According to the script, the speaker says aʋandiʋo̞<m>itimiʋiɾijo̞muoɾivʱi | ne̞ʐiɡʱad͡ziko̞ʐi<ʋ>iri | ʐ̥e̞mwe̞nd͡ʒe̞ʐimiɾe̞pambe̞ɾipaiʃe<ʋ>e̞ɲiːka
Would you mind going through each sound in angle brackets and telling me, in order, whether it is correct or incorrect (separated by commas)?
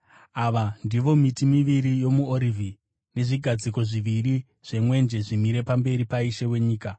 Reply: correct, correct, incorrect